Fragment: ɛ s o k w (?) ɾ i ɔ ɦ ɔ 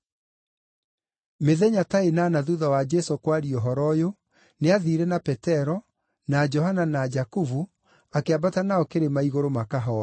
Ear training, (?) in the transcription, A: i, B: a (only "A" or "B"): B